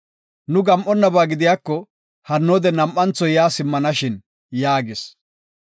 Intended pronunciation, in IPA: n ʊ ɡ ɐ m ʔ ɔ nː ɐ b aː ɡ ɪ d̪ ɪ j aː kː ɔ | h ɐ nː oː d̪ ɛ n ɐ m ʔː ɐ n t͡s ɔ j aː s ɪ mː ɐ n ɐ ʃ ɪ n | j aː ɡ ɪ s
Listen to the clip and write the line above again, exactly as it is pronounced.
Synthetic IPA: n ʊ ɡ ɐ m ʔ ɔ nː ɐ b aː ɡ ɪ d̪ ɪ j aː kː ɔ | h ɐ nː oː d̪ ɛ n ɐ m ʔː ɐ n t͡s ɔ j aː s ɪ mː ɐ n ɐ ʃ ɪ n | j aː ɡ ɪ s

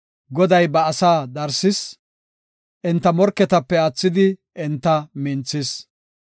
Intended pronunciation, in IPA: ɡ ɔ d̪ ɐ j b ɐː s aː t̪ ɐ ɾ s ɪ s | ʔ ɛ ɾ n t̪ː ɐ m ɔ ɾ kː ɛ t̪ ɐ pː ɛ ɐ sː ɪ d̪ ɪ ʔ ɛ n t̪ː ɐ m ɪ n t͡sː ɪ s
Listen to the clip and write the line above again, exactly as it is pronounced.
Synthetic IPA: ɡ ɔ d̪ ɐ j b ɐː s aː d̪ ɐ ɾ s ɪ s | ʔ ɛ n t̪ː ɐ m ɔ ɾ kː ɛ t̪ ɐ pː ɛ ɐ t͡sː ɪ d̪ ɪ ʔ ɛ n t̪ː ɐ m ɪ n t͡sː ɪ s

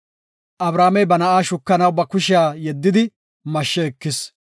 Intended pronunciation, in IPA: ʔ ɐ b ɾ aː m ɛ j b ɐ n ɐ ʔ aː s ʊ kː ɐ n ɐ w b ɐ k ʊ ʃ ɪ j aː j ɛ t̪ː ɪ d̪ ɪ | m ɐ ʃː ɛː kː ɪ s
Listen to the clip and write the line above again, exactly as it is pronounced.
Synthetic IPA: ʔ ɐ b ɾ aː m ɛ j b ɐ n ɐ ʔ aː ʃ ʊ kː ɐ n ɐ w b ɐ k ʊ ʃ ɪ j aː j ɛ d̪ː ɪ d̪ ɪ | m ɐ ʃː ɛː kː ɪ s

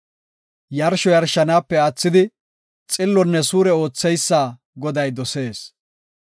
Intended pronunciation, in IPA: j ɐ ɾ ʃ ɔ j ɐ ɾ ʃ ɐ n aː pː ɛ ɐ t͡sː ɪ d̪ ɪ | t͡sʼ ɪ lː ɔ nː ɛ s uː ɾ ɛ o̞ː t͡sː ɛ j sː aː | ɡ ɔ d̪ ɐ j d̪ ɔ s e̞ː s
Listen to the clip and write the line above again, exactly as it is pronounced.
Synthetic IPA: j ɐ ɾ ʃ ɔ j ɐ ɾ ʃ ɐ n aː pː ɛ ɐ t͡sː ɪ d̪ ɪ | t͡sʼ ɪ lː ɔ nː ɛ s uː ɾ ɛ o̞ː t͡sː ɛ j sː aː | ɡ ɔ d̪ ɐ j d̪ ɔ s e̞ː s

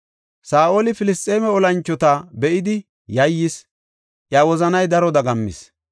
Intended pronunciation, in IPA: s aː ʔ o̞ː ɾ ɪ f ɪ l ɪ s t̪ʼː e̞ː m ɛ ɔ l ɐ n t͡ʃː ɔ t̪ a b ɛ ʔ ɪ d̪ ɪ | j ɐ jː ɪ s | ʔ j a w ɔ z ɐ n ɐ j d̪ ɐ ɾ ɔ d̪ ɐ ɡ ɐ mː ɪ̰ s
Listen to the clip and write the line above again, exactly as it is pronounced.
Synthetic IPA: s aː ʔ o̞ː l ɪ f ɪ l ɪ s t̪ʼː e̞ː m ɛ ɔ l ɐ n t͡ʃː ɔ t̪ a b ɛ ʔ ɪ d̪ ɪ | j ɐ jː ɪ s | ʔ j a w ɔ z ɐ n ɐ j d̪ ɐ ɾ ɔ d̪ ɐ ɡ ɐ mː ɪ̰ s

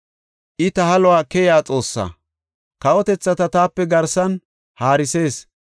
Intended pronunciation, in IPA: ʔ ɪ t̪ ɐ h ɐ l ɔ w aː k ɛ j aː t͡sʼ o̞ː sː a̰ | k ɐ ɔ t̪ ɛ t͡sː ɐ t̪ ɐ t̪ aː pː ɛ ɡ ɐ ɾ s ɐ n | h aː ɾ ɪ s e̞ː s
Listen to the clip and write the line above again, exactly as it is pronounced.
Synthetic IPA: ʔ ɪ t̪ ɐ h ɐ l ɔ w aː k ɛ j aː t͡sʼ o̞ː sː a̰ | k ɐ ɔ t̪ ɛ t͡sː ɐ t̪ ɐ t̪ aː pː ɛ ɡ ɐ ɾ s ɐ n | h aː ɾ ɪ s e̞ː s

